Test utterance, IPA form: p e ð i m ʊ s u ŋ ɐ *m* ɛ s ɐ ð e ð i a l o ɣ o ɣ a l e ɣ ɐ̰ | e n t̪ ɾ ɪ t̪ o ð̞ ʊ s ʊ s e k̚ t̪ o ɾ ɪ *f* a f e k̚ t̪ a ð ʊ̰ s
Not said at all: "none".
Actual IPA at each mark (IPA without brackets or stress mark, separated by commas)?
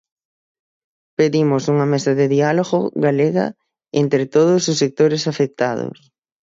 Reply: m, s